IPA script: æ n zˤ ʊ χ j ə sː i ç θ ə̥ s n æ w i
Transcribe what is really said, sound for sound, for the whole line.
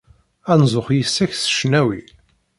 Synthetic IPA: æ n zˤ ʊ χ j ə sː æ ç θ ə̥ ʃ n æ w i

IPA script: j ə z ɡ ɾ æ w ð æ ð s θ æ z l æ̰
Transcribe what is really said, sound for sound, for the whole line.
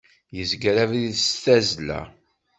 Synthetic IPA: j ə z ɡ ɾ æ v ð i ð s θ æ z l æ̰

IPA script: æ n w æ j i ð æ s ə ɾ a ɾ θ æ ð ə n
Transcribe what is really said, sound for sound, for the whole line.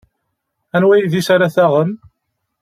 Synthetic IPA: æ n w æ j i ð i s a ɾ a θ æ ʁ ə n

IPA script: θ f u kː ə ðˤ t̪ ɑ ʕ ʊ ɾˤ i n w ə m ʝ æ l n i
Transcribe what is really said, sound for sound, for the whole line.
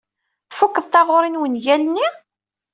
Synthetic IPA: θ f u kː ə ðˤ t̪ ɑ ʁ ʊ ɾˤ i n w ə n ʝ æ l n i

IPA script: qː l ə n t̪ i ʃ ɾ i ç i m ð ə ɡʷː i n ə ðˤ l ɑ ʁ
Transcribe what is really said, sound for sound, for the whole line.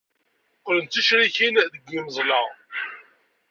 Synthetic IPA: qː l ə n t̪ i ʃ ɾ i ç i n ð ə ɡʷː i m ə zˤ l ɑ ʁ

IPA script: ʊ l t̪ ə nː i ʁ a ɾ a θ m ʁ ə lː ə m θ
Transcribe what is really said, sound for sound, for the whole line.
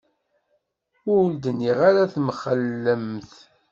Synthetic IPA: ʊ l d̪ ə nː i ʁ a ɾ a θ m χ ə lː ə m θ

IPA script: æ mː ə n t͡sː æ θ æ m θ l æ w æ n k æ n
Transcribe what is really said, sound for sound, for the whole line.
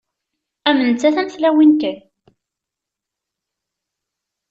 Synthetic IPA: æ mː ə n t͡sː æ θ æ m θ l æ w i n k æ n

